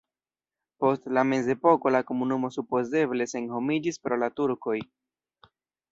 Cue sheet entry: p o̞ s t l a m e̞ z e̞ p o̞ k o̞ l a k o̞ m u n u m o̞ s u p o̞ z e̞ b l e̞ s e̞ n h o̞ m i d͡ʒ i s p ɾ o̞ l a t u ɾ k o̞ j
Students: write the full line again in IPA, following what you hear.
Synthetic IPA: p o̞ s t l a m e̞ z e̞ p o̞ k o̞ l a k o̞ m u n u m o̞ s u p o̞ z e̞ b l e̞ s e̞ n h o̞ m i d͡ʒ i s p ɾ o̞ l a t u ɾ k o̞ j